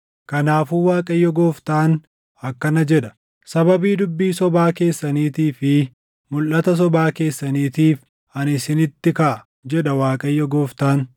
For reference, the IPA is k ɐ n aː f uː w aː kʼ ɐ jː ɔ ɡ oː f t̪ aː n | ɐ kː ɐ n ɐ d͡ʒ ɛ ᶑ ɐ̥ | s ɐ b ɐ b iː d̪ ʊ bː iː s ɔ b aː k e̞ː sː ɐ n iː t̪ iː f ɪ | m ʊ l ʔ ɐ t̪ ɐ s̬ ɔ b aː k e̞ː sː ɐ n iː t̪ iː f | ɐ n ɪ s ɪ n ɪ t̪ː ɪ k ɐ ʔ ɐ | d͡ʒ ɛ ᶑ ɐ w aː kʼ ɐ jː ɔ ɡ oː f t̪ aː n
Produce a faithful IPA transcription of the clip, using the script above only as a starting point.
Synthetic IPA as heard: k ɐ n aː f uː w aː kʼ ɐ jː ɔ ɡ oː f t̪ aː n | ɐ kː ɐ n ɐ d͡ʒ ɛ ᶑ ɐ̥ | s ɐ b ɐ b iː d̪ ʊ bː iː s ɔ b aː k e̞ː sː ɐ n iː t̪ iː f ɪ | m ʊ l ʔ ɐ t̪ ɐ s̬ ɔ b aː k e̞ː sː ɐ n iː t̪ iː f | ɐ n ɪ s ɪ n ɪ t̪ː ɪ k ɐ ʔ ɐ | d͡ʒ ɛ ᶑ ɐ w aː kʼ ɐ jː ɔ ɡ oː f t̪ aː n